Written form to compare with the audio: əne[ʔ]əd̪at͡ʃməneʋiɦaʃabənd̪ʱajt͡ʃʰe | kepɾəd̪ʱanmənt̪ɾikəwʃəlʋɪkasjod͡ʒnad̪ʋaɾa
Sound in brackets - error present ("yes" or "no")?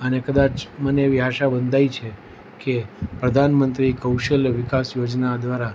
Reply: yes